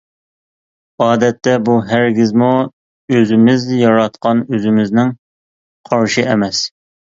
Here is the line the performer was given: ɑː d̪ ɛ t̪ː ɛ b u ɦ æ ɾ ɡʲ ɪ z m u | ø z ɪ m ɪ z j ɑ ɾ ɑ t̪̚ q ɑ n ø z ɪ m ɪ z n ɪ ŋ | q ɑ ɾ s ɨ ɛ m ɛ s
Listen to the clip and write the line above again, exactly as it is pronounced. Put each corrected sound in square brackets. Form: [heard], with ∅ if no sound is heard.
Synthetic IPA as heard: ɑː d̪ ɛ t̪ː ɛ b u ɦ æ ɾ ɡʲ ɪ z m u | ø z ɪ m ɪ z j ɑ ɾ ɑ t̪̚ q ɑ n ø z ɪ m ɪ z n ɪ ŋ | [qʰ] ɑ ɾ [ʃ] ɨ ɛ m ɛ s